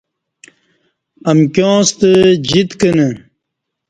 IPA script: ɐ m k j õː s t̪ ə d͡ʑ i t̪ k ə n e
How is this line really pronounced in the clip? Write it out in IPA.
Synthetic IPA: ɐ m k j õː s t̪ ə d͡ʑ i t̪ k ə n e